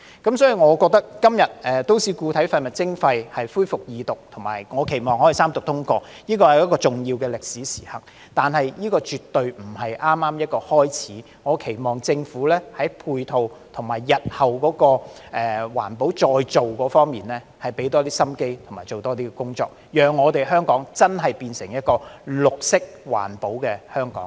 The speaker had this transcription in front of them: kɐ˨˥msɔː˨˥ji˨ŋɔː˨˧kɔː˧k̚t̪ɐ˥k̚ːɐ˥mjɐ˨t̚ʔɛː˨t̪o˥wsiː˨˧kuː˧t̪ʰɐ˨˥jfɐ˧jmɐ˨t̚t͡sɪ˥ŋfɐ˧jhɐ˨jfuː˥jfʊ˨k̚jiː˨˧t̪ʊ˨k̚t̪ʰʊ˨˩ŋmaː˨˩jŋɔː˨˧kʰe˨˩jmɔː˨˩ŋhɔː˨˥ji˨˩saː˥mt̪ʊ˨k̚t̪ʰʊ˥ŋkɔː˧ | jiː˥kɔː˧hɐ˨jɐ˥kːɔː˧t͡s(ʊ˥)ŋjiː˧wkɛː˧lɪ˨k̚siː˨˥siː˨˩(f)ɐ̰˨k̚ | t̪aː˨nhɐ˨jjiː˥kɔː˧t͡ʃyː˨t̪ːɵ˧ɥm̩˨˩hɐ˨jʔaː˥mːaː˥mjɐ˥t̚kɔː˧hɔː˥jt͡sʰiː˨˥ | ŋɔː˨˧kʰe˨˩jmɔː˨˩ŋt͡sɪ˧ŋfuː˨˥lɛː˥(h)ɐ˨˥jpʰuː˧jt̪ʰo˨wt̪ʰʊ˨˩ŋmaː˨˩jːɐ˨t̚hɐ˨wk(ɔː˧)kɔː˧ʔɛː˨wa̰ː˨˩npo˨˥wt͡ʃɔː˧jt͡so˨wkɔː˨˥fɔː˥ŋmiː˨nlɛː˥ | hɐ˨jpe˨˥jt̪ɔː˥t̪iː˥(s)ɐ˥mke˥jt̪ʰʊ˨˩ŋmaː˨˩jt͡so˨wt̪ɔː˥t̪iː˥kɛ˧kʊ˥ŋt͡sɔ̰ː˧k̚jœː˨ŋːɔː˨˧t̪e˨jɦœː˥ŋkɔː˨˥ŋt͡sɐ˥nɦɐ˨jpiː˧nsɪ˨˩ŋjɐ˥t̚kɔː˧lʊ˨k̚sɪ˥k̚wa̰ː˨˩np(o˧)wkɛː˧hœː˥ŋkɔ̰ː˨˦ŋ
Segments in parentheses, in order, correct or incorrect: incorrect: ʊ˨˩, incorrect: h, correct, incorrect: ɔː˨˥, correct, incorrect: o˨˥

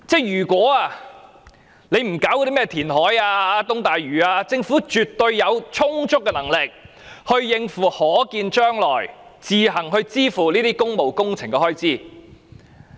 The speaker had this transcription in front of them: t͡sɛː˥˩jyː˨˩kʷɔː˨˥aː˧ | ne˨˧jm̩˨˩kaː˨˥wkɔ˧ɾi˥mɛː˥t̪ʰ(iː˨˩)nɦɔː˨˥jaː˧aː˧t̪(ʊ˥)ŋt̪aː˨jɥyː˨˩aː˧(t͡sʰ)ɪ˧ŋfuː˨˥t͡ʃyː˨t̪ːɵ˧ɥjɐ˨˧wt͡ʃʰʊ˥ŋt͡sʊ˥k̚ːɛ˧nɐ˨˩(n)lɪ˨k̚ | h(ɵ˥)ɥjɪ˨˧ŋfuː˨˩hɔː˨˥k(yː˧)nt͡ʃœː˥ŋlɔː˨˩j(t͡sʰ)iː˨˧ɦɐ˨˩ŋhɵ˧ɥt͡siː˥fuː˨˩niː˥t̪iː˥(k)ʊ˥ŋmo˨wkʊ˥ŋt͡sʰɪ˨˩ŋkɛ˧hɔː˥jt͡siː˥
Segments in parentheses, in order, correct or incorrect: correct, correct, incorrect: t͡s, incorrect: ŋ, incorrect: ɵ˧, incorrect: iː˧, incorrect: t͡s, correct

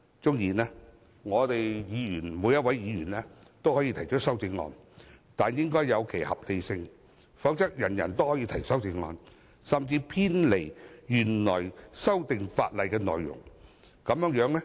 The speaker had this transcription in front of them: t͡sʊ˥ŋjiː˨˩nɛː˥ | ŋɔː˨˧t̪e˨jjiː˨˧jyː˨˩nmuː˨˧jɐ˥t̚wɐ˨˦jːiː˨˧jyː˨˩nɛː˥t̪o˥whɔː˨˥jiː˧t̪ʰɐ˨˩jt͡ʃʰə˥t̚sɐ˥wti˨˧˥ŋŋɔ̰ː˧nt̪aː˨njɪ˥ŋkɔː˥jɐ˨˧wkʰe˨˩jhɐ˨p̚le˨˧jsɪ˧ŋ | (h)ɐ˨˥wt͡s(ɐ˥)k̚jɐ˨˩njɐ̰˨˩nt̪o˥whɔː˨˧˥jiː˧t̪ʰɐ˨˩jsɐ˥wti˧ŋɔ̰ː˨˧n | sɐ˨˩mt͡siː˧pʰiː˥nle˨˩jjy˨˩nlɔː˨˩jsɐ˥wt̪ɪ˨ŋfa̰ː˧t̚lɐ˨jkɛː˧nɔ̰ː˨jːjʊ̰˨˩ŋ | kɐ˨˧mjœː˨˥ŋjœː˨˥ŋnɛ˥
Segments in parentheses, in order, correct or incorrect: incorrect: f, correct

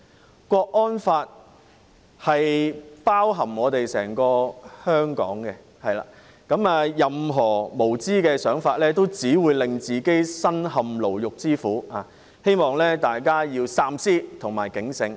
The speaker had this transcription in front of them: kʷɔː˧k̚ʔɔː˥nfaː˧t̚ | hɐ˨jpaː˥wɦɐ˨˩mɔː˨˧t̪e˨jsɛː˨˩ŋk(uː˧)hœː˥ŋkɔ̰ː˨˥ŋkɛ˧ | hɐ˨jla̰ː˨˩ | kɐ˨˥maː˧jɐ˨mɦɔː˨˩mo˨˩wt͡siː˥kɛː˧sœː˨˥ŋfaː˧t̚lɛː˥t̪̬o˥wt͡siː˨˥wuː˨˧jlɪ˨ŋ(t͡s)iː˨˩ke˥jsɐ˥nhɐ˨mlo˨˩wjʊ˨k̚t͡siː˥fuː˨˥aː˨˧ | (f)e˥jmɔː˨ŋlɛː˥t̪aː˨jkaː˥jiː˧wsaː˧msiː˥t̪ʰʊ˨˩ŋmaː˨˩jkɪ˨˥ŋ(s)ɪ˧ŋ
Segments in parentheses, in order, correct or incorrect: incorrect: ɔː˧, correct, incorrect: h, correct

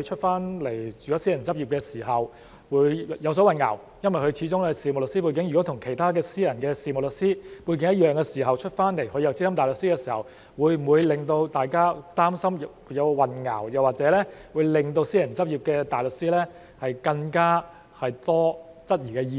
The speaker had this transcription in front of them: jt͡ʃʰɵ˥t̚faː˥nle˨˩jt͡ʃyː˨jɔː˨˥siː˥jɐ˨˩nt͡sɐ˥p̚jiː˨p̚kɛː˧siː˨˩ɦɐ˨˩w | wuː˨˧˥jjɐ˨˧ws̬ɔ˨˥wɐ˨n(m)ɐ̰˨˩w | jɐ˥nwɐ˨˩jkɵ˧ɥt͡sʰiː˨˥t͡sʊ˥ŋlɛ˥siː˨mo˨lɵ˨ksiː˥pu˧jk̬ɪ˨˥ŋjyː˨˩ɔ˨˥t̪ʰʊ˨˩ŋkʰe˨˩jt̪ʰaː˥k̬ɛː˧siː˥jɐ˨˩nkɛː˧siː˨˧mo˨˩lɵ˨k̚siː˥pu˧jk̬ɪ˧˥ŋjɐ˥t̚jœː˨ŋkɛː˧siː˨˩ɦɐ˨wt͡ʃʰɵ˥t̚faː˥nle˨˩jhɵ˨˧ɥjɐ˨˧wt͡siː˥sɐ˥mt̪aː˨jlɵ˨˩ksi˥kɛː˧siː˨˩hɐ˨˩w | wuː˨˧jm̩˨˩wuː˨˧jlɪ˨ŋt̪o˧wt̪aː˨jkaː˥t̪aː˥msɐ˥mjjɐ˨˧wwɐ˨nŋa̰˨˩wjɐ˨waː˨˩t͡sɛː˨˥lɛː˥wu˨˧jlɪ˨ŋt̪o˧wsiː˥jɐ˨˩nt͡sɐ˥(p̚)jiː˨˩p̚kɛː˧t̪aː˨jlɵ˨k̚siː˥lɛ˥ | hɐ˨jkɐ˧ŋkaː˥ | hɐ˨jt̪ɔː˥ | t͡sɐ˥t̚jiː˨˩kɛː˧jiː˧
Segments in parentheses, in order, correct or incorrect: incorrect: ŋ, correct

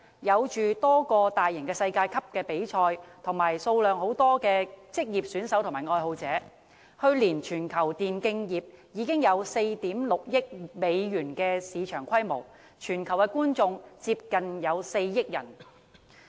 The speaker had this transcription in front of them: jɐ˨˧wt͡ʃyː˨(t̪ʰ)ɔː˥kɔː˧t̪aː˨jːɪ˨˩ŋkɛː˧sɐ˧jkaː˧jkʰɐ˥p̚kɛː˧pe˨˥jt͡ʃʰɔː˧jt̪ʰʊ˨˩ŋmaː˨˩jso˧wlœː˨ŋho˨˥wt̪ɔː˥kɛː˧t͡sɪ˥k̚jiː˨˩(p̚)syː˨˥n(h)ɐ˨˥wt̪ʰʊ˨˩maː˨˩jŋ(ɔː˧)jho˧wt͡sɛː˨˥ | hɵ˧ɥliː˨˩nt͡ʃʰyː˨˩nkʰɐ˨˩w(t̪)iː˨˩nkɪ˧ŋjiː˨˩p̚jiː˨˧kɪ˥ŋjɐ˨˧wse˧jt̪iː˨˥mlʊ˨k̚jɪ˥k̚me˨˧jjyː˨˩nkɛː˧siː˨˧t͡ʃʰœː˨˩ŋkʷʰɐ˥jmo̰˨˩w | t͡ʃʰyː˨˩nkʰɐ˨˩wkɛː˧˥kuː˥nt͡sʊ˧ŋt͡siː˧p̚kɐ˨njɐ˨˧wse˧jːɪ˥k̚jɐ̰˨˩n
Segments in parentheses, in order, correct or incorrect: incorrect: t̪, correct, incorrect: s, correct, correct

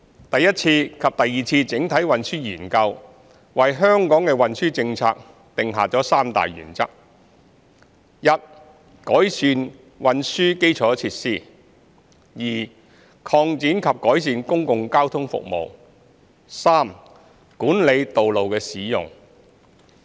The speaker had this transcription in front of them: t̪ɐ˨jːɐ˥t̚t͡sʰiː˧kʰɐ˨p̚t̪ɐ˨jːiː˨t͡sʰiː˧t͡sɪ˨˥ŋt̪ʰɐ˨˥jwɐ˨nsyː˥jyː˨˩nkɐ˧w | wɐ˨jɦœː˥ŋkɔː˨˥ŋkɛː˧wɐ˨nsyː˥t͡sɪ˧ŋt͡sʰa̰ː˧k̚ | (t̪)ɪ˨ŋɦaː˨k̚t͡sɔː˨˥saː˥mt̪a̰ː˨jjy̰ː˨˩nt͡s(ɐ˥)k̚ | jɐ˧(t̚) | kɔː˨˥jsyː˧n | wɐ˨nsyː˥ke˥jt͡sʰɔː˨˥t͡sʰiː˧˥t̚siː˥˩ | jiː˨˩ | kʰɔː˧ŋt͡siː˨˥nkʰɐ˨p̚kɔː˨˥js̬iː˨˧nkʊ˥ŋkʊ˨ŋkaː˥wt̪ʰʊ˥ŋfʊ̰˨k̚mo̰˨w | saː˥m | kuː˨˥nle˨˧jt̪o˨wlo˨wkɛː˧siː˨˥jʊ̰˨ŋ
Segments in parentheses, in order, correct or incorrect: correct, correct, correct

